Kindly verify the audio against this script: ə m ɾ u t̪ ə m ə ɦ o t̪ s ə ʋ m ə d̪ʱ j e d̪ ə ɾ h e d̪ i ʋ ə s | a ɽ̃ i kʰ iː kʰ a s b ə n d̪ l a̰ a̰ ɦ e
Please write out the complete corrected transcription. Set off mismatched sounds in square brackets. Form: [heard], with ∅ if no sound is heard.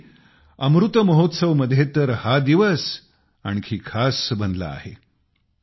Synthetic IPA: ə m ɾ u t̪ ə m ə ɦ o t̪ s ə ʋ m ə d̪ʱ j e [t̪] ə ɾ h [a] d̪ i ʋ ə s | a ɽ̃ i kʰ iː kʰ a s b ə n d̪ l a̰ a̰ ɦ e